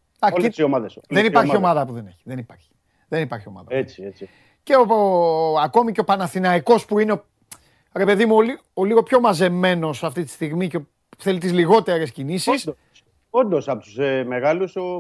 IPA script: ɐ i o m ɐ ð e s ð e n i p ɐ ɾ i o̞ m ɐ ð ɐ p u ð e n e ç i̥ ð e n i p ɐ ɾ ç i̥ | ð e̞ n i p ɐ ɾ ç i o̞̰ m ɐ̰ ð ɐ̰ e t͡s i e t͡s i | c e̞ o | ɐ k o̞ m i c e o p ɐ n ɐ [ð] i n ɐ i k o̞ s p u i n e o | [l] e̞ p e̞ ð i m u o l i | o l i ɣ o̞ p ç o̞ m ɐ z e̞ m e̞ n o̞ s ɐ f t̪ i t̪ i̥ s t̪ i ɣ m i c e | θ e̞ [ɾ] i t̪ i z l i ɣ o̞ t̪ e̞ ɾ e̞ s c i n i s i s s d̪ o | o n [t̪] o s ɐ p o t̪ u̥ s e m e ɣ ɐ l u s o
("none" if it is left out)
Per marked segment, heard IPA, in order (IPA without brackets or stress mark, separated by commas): θ, ɾ, l, d̪